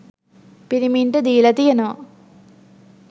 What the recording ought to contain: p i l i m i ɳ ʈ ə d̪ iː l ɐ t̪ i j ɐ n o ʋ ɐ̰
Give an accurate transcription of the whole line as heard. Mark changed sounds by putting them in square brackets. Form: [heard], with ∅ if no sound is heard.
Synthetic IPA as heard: p i [ɾ] i m i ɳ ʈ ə d̪ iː l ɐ t̪ i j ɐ n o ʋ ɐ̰